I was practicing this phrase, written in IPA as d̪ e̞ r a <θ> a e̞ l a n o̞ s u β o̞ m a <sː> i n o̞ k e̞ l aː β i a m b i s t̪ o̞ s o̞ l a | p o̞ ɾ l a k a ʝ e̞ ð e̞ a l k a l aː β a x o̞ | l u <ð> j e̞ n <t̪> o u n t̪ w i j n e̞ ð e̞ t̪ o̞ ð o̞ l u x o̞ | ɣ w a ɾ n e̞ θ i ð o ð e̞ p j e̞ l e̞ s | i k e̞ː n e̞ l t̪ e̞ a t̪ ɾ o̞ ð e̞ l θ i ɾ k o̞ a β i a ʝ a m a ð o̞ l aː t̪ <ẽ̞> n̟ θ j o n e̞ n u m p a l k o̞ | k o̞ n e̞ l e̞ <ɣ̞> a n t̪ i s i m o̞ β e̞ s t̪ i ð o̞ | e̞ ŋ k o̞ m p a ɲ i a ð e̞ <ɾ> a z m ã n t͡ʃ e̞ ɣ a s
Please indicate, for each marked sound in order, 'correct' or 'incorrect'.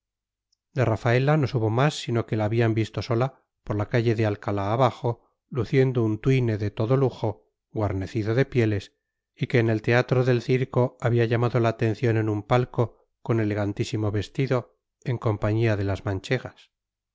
incorrect, correct, incorrect, incorrect, incorrect, correct, incorrect

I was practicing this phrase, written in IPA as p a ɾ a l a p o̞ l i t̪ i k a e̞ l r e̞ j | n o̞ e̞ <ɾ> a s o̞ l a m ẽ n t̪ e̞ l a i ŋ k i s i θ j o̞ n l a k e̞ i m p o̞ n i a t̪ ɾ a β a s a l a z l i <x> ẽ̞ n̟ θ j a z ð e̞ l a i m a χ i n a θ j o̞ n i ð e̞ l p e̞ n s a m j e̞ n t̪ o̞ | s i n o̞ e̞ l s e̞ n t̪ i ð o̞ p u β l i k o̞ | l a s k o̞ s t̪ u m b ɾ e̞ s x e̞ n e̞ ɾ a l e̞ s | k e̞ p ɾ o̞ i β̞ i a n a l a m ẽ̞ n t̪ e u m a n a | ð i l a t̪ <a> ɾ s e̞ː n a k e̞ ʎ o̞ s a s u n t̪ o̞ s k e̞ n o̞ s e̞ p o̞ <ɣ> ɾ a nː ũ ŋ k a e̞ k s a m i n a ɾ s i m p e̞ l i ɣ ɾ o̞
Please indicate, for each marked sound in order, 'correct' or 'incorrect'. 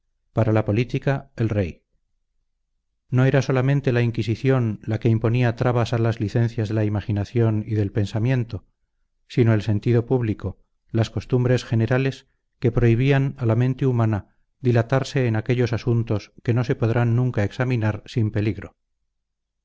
correct, incorrect, correct, incorrect

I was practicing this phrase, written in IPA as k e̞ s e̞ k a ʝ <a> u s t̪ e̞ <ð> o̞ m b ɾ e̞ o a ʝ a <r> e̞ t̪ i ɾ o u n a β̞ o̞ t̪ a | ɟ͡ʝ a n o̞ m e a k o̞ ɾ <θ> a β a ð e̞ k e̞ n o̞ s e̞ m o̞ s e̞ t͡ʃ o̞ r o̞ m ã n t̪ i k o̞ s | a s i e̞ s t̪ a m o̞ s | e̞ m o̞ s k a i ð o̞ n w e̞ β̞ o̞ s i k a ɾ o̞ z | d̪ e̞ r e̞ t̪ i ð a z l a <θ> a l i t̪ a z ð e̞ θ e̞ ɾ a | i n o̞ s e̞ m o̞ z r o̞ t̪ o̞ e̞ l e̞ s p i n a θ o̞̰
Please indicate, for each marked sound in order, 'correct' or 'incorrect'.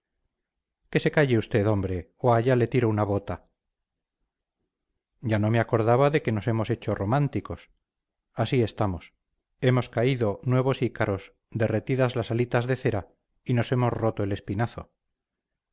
incorrect, correct, incorrect, incorrect, incorrect

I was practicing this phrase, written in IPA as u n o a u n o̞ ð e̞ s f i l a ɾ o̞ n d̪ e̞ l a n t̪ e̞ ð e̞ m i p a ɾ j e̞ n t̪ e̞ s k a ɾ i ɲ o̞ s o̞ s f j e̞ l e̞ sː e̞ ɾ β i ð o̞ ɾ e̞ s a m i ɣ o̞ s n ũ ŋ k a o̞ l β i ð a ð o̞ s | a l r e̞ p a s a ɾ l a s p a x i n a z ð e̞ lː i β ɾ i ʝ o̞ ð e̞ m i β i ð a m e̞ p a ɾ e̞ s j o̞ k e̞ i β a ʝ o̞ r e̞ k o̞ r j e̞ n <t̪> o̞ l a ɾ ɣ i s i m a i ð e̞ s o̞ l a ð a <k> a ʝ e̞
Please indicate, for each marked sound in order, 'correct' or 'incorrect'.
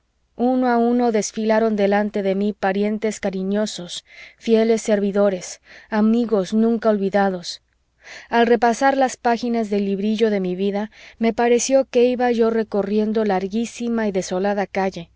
incorrect, correct

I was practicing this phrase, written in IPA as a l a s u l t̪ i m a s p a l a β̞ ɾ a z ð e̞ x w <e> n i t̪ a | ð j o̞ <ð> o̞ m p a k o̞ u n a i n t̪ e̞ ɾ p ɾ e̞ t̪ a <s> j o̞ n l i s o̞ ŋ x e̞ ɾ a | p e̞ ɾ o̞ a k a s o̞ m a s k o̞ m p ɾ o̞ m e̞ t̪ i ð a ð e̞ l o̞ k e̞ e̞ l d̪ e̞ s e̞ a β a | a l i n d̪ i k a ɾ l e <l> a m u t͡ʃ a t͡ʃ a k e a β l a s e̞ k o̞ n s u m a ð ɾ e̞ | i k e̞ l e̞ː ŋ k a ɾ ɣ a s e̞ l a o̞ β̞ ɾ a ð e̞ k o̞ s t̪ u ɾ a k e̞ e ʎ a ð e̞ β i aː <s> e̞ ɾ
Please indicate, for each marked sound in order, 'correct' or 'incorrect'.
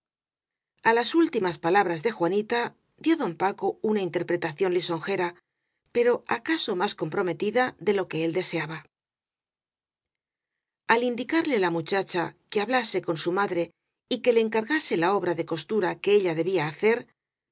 incorrect, correct, incorrect, correct, incorrect

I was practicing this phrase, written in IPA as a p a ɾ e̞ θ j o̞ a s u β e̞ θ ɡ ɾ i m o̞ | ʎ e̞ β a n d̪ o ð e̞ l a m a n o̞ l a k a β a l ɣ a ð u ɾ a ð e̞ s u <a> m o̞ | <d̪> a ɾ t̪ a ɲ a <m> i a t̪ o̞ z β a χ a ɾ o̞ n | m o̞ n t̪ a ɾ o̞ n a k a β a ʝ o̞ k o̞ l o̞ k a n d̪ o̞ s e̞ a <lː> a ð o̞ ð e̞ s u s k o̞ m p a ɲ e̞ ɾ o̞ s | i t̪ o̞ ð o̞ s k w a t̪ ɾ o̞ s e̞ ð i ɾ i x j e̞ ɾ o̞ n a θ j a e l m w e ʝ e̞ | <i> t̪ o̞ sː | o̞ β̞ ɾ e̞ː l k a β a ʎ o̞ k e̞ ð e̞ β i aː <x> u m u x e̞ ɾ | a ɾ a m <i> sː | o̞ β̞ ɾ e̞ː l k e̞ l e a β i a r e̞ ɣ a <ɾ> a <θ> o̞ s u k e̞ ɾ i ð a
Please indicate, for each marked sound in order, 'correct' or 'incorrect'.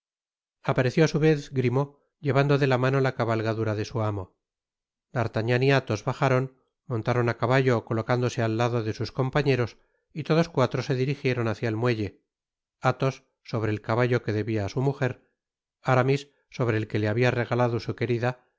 correct, correct, incorrect, correct, incorrect, incorrect, correct, incorrect, incorrect

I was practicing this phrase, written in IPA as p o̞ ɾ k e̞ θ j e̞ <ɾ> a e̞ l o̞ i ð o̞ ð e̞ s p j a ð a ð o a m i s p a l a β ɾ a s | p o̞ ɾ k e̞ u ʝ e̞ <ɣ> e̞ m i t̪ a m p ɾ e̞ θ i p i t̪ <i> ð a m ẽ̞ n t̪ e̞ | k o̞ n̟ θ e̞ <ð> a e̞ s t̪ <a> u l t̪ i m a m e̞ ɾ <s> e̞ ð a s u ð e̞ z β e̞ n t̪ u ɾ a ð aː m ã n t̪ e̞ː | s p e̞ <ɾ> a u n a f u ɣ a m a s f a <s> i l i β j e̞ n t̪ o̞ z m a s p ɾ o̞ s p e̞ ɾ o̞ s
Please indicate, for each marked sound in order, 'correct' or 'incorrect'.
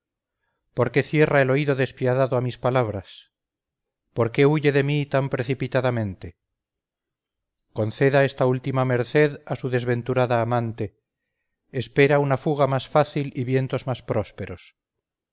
incorrect, incorrect, incorrect, correct, correct, incorrect, correct, incorrect

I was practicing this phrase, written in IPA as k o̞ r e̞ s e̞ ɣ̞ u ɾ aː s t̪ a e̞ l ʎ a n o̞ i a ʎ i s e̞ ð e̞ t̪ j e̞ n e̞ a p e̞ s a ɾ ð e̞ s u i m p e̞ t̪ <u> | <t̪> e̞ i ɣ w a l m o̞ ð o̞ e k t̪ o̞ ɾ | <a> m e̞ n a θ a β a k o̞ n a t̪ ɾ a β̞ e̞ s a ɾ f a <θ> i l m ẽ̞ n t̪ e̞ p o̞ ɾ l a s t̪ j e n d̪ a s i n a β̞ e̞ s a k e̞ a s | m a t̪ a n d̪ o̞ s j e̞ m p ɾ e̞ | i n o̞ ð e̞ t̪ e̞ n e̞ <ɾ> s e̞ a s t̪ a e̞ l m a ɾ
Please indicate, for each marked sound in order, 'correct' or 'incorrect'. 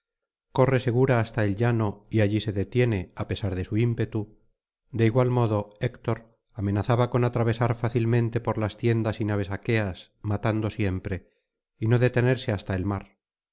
correct, incorrect, correct, correct, correct

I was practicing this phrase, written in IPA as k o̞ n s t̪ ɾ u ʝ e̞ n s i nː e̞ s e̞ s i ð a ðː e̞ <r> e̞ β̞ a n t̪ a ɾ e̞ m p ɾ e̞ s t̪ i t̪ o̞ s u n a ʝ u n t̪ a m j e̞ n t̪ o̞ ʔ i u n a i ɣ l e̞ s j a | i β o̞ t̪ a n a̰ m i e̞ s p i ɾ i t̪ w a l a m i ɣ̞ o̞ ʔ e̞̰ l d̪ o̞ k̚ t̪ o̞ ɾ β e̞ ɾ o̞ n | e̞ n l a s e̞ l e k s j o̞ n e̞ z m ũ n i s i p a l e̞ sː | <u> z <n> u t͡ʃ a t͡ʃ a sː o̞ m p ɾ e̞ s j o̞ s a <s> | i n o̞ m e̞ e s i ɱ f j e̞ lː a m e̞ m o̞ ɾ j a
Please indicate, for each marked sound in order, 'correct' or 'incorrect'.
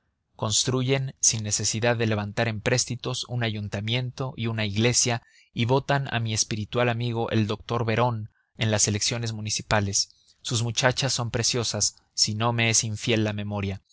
incorrect, correct, incorrect, incorrect

